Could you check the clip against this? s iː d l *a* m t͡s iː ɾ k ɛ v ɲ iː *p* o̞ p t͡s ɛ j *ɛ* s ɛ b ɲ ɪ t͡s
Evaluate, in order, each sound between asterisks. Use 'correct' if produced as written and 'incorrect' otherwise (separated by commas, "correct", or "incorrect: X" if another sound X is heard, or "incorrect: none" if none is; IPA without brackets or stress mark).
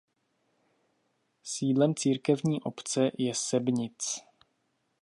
incorrect: ɛ, incorrect: ʔ, correct